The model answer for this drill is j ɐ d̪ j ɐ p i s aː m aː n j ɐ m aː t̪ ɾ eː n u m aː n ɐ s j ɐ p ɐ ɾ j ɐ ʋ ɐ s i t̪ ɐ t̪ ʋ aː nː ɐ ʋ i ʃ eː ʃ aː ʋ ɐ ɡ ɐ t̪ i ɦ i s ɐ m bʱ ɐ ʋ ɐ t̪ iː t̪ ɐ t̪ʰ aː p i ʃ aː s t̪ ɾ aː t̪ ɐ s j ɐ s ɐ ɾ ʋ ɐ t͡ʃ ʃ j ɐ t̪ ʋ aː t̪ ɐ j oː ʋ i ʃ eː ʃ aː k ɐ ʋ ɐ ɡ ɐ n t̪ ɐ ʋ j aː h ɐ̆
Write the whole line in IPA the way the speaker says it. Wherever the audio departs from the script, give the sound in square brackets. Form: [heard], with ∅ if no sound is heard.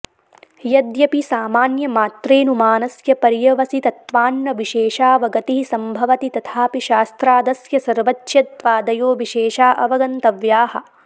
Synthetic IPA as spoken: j ɐ d̪ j ɐ p i s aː m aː n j ɐ m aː t̪ ɾ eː n u m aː n ɐ s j ɐ p ɐ ɾ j ɐ ʋ ɐ s i t̪ ɐ t̪ ʋ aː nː ɐ ʋ i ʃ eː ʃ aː ʋ ɐ ɡ ɐ t̪ i ɦ i s ɐ m bʱ ɐ ʋ ɐ t̪ [i] t̪ ɐ t̪ʰ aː p i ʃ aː s t̪ ɾ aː [d̪] ɐ s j ɐ s ɐ ɾ ʋ ɐ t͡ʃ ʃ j ɐ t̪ ʋ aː [d̪] ɐ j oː ʋ i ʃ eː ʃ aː [ʔ] ɐ ʋ ɐ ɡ ɐ n t̪ ɐ ʋ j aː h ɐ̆